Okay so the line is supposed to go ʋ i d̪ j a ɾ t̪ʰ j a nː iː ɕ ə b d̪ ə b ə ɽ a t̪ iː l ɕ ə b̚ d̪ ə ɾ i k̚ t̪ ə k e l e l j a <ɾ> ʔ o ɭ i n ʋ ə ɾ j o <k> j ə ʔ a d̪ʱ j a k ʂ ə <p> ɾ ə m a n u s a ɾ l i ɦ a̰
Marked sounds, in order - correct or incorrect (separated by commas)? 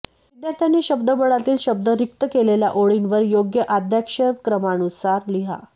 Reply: incorrect, incorrect, incorrect